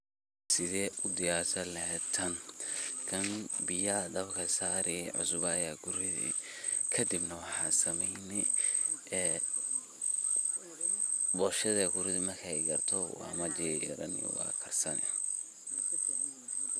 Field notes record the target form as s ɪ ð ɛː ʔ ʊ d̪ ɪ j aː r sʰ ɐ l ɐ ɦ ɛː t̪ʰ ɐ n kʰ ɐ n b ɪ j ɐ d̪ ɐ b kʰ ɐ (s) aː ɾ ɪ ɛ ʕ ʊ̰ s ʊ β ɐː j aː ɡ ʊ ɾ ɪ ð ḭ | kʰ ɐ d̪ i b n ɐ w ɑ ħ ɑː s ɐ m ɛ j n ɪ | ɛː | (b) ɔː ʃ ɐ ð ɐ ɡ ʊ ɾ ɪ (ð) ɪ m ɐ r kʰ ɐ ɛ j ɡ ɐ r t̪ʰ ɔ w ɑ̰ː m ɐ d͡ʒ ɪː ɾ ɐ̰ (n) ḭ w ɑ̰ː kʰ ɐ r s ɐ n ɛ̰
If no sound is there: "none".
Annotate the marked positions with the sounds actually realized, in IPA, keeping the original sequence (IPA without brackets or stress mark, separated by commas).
s, b, ð, n